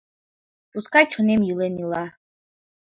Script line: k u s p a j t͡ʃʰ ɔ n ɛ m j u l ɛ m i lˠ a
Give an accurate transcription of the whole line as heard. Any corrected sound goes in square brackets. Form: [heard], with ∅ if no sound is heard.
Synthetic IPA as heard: [p] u s [k] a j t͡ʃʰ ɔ n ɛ m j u l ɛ [n] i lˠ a